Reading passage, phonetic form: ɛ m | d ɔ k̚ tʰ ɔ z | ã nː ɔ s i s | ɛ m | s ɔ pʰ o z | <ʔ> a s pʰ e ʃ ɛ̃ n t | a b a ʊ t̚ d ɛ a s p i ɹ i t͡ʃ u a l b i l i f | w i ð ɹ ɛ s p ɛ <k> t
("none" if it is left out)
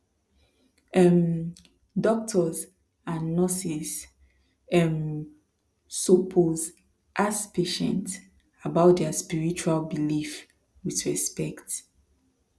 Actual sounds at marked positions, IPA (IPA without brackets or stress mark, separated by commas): ʔ, k